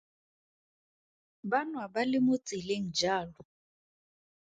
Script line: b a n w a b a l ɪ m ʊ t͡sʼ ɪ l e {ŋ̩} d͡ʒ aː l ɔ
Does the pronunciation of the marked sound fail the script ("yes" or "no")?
no